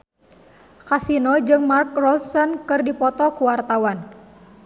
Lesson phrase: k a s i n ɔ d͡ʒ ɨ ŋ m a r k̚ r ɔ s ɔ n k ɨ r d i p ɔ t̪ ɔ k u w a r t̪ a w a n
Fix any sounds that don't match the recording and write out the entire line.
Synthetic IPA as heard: k a s i n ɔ d͡ʒ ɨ ŋ m a r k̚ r ɔ s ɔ n k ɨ r d i p ɔ t̪ ɔ k u w a r t̪ a w a n